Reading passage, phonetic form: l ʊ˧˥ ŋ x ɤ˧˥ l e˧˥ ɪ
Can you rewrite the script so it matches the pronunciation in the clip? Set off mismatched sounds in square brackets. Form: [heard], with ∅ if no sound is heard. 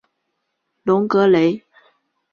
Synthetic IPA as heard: l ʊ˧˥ ŋ [k] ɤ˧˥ l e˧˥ ɪ